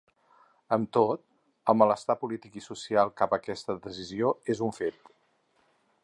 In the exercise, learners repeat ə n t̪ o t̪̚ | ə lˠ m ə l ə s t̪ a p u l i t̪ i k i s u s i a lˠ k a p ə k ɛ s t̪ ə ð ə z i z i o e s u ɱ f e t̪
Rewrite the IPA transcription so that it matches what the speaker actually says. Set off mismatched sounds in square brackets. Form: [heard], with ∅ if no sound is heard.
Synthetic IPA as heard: ə [m] t̪ o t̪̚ | ə lˠ m ə l ə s t̪ a p u l i t̪ i k i s u s i a lˠ k a p ə k ɛ s t̪ ə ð ə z i z i o e [z] u ɱ f e t̪